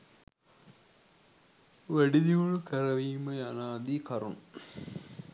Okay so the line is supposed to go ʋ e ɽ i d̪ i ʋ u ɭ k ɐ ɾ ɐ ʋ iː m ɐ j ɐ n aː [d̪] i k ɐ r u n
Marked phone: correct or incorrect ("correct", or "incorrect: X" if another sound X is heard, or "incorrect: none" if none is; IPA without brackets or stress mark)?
correct